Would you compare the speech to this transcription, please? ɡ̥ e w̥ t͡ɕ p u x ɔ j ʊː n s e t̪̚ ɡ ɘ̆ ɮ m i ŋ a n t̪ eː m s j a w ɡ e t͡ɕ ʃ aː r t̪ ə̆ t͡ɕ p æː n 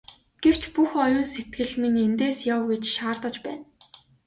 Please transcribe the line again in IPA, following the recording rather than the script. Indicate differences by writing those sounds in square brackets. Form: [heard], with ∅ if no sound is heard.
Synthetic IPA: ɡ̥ e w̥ t͡ɕ p u x ɔ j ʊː n s e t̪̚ ɡ ɘ̆ ɮ m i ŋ [e] n t̪ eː [∅] s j a w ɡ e t͡ɕ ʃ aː r t̪ ə̆ t͡ɕ p æː n